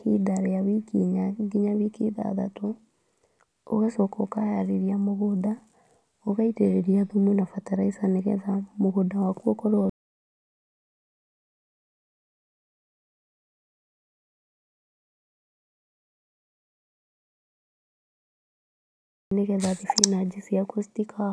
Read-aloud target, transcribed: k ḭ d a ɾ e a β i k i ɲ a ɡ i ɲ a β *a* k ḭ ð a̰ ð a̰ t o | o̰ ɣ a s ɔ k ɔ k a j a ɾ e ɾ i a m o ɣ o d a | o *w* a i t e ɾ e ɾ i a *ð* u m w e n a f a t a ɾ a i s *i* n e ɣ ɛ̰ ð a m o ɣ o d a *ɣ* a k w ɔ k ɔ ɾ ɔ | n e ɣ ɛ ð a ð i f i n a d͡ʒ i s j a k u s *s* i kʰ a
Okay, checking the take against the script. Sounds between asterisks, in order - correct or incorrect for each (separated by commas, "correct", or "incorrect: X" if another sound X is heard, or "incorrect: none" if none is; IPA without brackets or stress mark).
incorrect: i, incorrect: ɣ, correct, incorrect: a, incorrect: w, incorrect: t